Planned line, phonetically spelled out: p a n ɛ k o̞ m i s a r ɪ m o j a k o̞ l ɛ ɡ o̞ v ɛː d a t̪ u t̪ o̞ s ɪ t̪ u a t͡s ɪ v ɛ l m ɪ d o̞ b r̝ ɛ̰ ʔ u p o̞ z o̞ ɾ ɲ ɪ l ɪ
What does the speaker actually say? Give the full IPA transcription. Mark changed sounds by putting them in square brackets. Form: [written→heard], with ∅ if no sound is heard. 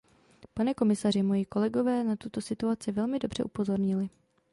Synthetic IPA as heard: p a n ɛ k o̞ m [i→ɪ] s a r ɪ m o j [a→i] k o̞ l ɛ ɡ o̞ v ɛː [d→n] a t̪ u t̪ o̞ s ɪ t̪ u a t͡s ɪ v ɛ l m ɪ d o̞ b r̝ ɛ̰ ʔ u p o̞ z o̞ ɾ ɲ ɪ l ɪ